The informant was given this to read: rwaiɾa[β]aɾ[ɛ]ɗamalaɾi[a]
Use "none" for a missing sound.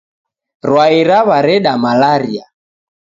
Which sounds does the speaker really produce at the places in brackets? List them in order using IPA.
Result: β, ɛ, a

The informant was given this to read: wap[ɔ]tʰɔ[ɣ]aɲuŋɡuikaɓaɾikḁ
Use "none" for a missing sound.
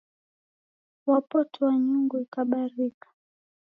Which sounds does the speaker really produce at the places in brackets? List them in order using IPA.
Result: ɔ, w

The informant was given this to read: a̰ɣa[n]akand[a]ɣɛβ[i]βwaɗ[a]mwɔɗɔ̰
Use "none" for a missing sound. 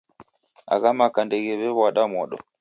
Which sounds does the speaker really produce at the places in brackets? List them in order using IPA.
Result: m, ɛ, ɛ, a

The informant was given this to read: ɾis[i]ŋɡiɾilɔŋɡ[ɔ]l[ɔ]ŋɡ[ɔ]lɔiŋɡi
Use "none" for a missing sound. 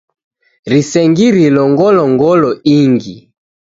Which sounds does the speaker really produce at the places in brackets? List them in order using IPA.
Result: ɛ, ɔ, ɔ, ɔ

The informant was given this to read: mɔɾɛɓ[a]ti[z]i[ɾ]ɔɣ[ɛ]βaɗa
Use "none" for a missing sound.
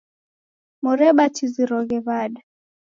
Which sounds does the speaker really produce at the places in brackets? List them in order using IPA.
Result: a, z, ɾ, ɛ

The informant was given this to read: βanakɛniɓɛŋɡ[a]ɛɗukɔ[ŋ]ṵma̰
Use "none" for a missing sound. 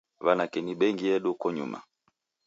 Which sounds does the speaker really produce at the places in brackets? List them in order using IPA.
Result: i, ɲ

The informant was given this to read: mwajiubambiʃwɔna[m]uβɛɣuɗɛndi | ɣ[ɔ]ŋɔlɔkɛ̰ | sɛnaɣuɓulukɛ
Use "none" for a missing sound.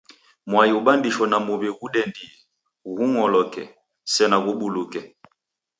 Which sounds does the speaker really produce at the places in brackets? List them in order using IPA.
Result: m, u

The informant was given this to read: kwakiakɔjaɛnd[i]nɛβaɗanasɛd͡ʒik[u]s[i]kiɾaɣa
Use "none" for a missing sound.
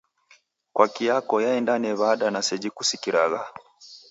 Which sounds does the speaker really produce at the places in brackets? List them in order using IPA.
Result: a, u, i

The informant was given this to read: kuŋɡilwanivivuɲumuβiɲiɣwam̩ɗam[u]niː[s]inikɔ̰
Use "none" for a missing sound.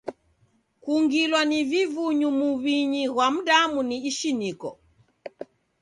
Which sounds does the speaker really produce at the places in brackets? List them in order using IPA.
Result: u, ʃ

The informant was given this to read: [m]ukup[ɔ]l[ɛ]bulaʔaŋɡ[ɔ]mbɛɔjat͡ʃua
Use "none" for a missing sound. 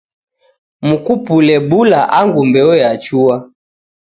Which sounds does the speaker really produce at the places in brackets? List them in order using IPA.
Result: m, u, ɛ, u

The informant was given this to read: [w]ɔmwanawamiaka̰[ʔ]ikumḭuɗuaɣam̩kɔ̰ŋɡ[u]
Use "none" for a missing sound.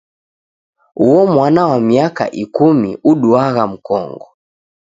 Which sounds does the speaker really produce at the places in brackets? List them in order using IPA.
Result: u, ʔ, ɔ

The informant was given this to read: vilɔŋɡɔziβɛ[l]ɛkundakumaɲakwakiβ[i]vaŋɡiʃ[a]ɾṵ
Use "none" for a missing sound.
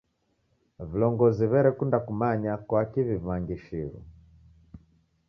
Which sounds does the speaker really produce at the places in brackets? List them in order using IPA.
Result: ɾ, i, i

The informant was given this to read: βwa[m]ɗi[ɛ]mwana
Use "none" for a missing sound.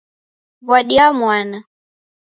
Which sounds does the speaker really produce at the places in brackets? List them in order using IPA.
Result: none, a

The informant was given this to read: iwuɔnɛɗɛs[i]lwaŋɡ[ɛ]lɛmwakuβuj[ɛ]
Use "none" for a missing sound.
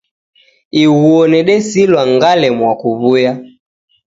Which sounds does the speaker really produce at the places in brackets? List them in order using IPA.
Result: i, a, a

